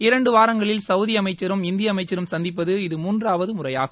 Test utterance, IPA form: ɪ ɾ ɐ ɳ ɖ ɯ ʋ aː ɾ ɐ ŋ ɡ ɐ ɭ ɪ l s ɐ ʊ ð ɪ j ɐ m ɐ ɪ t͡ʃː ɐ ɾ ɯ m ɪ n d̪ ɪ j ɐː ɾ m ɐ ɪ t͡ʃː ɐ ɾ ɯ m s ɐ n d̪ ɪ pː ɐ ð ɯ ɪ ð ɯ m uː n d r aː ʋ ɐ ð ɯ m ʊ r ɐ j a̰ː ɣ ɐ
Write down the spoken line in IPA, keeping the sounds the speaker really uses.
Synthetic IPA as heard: ɪ ɾ ɐ ɳ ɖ ɯ ʋ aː ɾ ɐ ŋ ɡ ɐ ɭ ɪ l s ɐ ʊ ð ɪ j ɐ m ɐ ɪ t͡ʃː ɐ ɾ ɯ m ɪ n d̪ ɪ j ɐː m ɐ ɪ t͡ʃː ɐ ɾ ɯ m s ɐ n d̪ ɪ pː ɐ ð ɯ ɪ ð ɯ m uː n d r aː ʋ ɐ ð ɯ m ʊ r ɐ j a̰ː ɣ ɐ